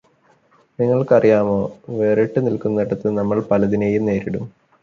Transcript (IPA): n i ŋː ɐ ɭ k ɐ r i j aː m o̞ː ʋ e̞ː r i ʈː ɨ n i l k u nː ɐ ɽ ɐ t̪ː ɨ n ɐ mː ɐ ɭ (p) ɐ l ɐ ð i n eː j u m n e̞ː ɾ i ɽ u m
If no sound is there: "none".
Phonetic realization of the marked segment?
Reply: p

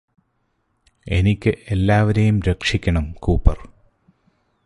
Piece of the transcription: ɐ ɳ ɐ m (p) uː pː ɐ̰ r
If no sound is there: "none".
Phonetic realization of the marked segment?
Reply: k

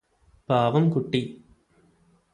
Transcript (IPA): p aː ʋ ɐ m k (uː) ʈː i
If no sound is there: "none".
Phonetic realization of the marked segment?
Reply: u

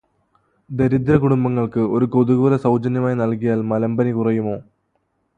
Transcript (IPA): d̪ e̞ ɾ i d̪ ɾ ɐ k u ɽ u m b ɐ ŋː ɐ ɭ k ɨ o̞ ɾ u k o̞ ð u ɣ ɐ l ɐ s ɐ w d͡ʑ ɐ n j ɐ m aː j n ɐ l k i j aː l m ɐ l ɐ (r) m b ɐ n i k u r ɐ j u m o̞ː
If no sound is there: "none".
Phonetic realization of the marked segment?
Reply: none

